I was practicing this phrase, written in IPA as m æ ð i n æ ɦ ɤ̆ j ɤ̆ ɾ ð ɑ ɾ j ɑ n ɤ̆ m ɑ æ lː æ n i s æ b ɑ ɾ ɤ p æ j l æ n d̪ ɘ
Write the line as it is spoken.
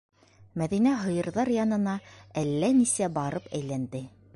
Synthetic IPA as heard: m æ ð i n æ ɦ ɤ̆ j ɤ̆ ɾ ð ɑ ɾ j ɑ n ɤ̆ n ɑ æ lː æ n i s æ b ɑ ɾ ɤ p æ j l æ n d̪ ɘ